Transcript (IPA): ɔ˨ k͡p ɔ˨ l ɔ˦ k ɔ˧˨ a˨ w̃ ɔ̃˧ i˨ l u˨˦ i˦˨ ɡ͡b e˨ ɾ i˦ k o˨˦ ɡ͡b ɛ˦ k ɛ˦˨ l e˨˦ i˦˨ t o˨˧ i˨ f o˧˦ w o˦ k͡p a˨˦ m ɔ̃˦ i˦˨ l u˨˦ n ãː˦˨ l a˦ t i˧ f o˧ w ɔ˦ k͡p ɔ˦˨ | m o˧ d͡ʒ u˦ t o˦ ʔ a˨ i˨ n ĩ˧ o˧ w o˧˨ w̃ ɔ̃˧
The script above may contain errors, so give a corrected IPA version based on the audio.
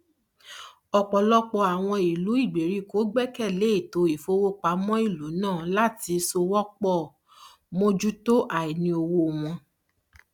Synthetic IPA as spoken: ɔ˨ k͡p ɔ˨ l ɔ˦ k͡p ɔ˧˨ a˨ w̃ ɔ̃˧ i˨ l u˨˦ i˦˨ ɡ͡b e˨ ɾ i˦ k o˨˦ ɡ͡b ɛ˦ k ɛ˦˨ l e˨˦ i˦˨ t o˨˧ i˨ f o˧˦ w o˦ k͡p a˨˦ m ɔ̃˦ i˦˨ l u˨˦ n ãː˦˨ l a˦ t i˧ s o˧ w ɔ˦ k͡p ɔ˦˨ | m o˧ d͡ʒ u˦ t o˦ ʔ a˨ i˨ n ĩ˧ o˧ w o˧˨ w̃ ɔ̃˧